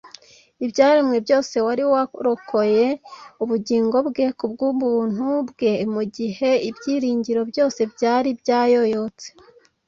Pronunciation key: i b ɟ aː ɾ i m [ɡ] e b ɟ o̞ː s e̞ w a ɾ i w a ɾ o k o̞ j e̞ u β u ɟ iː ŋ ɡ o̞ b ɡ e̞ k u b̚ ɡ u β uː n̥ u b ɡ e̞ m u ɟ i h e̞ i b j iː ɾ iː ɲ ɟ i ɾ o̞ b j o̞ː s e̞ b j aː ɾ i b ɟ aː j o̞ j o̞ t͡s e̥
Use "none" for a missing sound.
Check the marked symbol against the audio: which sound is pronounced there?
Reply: ŋ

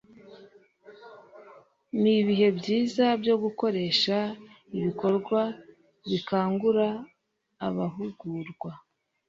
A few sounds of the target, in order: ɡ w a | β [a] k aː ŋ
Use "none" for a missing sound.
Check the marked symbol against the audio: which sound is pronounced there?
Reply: i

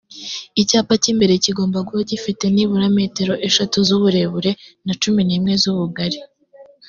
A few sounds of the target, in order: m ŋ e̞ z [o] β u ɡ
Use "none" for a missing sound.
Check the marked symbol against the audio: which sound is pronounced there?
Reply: u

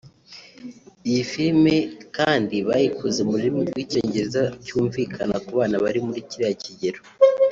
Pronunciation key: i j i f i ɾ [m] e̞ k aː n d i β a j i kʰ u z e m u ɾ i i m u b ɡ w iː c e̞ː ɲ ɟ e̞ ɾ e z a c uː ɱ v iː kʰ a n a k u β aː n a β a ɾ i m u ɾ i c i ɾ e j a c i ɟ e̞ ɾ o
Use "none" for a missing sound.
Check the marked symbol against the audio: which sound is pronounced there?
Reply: m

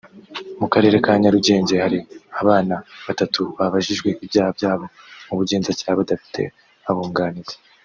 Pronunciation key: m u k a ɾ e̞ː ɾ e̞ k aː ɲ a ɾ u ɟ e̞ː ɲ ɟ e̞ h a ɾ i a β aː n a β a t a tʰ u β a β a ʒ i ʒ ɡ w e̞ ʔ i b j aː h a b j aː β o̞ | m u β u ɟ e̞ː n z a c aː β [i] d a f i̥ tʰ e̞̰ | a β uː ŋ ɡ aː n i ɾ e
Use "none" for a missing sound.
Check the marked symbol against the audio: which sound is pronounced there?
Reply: a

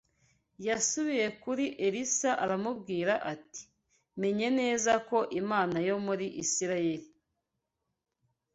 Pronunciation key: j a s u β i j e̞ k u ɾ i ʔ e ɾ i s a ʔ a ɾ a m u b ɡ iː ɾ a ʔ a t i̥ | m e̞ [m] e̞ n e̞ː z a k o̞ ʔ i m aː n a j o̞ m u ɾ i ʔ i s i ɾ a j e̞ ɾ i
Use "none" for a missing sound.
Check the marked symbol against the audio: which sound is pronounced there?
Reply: ɲ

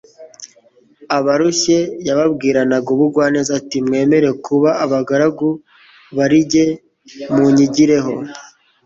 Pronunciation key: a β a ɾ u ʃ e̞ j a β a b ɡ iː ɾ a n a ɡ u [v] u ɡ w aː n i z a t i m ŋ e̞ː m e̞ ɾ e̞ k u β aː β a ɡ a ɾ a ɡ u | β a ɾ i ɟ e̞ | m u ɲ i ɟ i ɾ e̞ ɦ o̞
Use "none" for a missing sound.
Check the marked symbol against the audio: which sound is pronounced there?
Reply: β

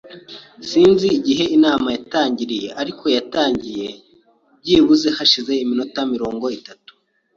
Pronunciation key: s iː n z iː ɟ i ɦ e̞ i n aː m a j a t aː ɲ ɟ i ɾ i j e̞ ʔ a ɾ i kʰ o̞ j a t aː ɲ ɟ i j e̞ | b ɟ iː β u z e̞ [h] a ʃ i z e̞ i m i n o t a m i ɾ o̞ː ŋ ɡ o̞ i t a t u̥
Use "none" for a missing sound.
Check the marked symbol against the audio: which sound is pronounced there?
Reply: h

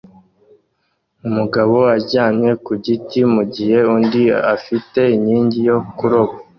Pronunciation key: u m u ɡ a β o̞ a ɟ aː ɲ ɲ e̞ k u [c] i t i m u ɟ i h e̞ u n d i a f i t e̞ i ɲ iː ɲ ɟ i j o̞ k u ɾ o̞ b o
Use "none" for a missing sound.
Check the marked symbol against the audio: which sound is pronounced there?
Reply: ɟ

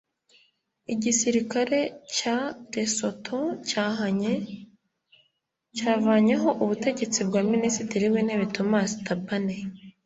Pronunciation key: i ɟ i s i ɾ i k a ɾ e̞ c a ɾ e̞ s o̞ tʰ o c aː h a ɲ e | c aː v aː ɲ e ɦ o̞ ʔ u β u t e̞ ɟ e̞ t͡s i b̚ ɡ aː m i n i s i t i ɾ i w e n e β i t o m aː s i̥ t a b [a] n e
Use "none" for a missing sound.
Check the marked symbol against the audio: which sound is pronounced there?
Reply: a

